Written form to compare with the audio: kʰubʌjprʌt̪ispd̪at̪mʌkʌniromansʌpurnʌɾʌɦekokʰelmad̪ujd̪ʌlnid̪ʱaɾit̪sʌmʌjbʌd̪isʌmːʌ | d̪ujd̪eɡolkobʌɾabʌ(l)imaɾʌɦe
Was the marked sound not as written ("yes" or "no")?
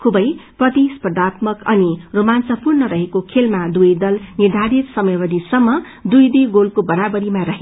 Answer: yes